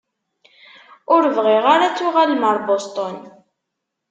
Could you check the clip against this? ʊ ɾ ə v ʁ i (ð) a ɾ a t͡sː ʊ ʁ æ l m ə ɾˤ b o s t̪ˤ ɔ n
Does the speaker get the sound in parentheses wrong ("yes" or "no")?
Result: yes